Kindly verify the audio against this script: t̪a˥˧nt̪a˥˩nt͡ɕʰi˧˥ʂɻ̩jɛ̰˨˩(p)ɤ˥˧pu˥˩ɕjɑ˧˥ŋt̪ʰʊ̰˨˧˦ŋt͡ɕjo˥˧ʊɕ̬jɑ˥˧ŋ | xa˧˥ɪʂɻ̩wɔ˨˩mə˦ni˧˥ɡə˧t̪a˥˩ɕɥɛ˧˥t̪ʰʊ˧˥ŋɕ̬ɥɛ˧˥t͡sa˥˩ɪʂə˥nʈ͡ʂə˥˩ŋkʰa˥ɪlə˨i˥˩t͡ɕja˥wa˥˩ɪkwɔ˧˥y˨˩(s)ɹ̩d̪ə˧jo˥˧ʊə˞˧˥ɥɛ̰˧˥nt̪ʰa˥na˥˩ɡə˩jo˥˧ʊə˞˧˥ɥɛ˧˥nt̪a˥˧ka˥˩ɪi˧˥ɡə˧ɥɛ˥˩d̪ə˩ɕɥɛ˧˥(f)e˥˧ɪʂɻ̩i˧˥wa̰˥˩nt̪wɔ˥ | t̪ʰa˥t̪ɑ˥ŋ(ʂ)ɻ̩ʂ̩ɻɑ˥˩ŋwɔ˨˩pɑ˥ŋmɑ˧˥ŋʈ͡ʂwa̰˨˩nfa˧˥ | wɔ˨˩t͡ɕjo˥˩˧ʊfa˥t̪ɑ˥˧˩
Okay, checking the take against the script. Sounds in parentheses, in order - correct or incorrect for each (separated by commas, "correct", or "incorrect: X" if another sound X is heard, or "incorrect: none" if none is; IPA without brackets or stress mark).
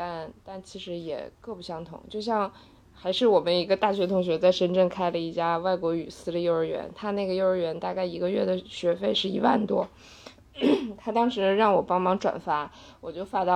incorrect: k, correct, correct, correct